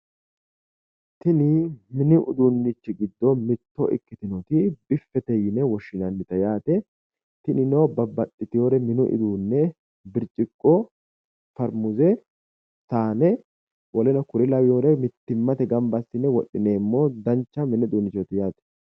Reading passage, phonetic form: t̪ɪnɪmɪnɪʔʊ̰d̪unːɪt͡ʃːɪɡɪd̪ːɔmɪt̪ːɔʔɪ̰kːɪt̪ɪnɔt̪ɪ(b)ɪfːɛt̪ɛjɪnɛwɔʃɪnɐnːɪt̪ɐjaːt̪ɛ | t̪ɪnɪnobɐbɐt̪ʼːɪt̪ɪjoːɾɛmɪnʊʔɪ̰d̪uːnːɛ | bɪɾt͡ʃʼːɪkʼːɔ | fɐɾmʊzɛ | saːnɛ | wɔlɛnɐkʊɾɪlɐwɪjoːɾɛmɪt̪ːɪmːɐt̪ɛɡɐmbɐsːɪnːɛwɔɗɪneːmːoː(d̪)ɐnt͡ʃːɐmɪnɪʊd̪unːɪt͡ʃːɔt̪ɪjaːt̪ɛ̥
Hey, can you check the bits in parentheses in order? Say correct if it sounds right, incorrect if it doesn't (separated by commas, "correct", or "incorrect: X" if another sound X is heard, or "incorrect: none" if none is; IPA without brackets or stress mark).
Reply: correct, correct